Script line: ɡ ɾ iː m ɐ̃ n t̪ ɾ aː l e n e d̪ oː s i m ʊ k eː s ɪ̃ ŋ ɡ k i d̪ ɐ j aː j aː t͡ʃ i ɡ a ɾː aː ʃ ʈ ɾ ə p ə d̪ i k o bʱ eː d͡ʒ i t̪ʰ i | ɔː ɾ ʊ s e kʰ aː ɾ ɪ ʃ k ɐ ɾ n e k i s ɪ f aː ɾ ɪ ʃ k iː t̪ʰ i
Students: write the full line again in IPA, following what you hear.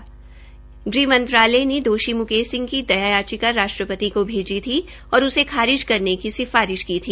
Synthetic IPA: ɡ ɾ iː m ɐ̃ n t̪ ɾ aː l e n e d̪ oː ʃ i m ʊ k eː s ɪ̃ ŋ ɡ k i d̪ ɐ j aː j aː t͡ʃ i k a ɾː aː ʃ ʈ ɾ ə p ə t̪ i k o bʱ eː d͡ʒ i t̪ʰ i | ɔː ɾ ʊ s e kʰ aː ɾ ɪ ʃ k ɐ ɾ n e k i s ɪ f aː ɾ ɪ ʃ k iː t̪ʰ iː